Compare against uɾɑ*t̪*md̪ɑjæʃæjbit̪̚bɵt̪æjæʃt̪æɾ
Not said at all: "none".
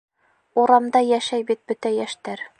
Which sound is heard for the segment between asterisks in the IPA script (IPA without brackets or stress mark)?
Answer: none